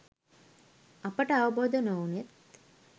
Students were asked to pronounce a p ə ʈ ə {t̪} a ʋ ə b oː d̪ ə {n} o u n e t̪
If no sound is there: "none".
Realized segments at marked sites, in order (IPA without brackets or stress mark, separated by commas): none, n